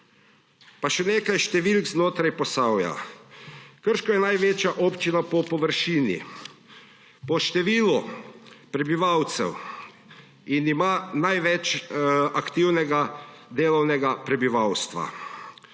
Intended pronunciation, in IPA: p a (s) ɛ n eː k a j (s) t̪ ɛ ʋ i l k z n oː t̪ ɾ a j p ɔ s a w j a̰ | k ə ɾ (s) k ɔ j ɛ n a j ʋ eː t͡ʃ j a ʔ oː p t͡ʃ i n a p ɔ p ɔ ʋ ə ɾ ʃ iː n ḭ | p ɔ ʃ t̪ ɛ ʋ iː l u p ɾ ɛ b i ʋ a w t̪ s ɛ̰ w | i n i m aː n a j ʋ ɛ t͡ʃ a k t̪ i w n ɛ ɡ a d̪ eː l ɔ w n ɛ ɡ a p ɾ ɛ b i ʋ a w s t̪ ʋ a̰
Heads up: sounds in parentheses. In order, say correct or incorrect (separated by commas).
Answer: incorrect, incorrect, incorrect